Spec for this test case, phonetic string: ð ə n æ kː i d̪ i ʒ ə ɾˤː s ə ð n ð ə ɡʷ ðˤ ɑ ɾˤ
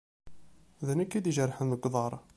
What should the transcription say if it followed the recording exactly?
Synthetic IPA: ð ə n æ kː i d̪ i ʒ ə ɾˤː ħ ə n ð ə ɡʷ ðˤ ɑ ɾˤ